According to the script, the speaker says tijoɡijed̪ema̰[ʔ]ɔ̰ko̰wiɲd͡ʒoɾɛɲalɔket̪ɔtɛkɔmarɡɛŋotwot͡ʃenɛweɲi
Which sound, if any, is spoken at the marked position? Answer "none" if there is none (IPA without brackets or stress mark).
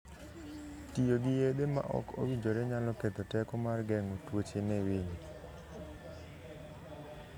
ʔ